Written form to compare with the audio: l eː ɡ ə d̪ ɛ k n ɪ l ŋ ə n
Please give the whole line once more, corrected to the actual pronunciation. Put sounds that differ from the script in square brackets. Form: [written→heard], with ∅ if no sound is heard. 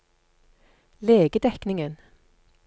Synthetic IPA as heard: l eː ɡ ə d̪ ɛ k n ɪ [l→∅] ŋ ə n

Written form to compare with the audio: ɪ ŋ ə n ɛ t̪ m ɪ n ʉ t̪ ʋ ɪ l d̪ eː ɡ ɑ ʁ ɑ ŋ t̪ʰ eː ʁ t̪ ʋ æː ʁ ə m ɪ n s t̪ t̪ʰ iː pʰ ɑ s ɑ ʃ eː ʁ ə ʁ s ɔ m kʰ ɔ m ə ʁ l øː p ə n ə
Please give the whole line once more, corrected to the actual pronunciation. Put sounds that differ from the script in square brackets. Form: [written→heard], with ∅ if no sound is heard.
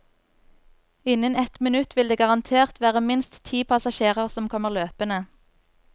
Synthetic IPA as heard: ɪ [ŋ→n] ə n ɛ t̪ m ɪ n ʉ t̪ ʋ ɪ l d̪ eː ɡ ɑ ʁ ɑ [ŋ→n] t̪ʰ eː ʁ t̪ ʋ æː ʁ ə m ɪ n s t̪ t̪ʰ iː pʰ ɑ s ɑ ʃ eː ʁ ə ʁ s ɔ m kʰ ɔ m ə ʁ l øː p ə n ə

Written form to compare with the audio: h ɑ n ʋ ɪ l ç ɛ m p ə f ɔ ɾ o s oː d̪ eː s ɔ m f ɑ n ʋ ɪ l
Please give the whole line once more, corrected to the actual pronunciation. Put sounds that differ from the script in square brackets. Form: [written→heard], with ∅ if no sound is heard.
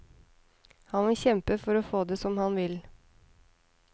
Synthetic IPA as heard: h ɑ n ʋ ɪ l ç ɛ m p ə f ɔ ɾ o [s→f] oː d̪ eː s ɔ m [f→h] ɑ n ʋ ɪ l

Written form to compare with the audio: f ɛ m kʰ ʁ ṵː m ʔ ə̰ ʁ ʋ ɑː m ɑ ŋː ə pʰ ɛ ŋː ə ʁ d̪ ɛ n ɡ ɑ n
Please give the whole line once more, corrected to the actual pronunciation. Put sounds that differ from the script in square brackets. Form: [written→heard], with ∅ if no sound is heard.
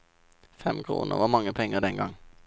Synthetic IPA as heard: f ɛ m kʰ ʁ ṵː [m→n] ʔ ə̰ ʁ ʋ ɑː m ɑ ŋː ə pʰ ɛ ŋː ə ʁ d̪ ɛ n ɡ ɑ [n→ŋ]

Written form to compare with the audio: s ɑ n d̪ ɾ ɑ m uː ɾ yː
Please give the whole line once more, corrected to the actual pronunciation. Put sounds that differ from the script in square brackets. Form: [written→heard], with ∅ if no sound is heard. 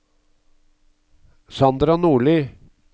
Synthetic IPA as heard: s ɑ n d̪ ɾ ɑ [m→n] uː [ɾ→ɭ] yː

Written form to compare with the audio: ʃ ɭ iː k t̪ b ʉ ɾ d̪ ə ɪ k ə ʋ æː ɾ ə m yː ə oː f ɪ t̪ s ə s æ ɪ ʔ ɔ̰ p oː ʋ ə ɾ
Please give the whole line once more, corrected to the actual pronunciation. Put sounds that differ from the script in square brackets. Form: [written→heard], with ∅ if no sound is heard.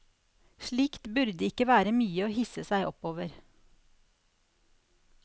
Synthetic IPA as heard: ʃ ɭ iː k t̪ b ʉ ɾ d̪ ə ɪ k ə ʋ æː ɾ ə m yː ə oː [f→h] ɪ [t̪→∅] s ə s æ ɪ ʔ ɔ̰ p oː ʋ ə ɾ

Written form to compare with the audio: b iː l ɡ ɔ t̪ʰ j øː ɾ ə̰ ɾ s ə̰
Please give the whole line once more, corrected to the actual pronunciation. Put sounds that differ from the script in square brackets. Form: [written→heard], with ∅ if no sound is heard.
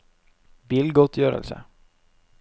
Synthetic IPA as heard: b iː l ɡ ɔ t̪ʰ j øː ɾ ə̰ [ɾ→l] s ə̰

